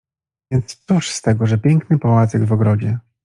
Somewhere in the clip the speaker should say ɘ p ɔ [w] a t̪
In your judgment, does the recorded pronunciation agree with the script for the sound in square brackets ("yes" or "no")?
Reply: yes